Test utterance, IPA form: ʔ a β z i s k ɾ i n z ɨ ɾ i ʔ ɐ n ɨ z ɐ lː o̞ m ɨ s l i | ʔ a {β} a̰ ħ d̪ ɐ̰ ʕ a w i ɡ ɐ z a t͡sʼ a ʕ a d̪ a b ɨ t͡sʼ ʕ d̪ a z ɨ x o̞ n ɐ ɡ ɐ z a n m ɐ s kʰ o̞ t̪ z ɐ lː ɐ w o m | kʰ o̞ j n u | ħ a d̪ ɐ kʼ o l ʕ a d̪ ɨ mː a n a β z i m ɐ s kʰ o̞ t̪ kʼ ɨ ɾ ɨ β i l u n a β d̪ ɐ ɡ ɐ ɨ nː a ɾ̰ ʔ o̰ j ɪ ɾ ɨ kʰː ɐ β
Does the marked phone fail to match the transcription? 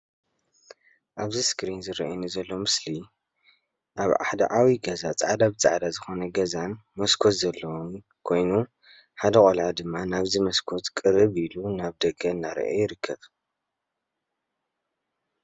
no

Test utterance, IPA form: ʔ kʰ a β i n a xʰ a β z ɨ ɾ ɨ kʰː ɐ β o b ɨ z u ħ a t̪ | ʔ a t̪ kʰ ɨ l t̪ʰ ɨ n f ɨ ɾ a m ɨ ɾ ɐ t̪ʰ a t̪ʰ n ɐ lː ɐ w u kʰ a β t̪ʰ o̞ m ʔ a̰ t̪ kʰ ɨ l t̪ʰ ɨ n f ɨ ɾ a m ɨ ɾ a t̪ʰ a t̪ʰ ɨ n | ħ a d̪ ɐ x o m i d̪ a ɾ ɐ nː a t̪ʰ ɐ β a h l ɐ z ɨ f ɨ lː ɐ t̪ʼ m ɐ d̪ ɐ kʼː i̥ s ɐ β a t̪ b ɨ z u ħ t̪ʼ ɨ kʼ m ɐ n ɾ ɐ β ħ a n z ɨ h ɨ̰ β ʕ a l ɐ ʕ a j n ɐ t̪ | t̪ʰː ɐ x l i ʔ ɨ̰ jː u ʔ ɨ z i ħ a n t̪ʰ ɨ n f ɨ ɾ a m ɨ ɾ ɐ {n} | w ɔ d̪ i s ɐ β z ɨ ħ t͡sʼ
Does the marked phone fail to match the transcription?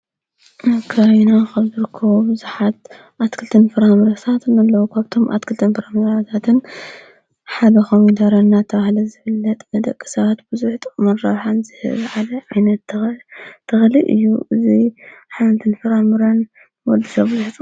no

